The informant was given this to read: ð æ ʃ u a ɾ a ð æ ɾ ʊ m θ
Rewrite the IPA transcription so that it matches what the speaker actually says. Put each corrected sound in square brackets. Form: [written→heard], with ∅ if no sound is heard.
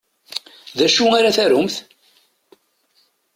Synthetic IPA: ð æ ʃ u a ɾ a [ð→θ] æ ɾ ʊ m θ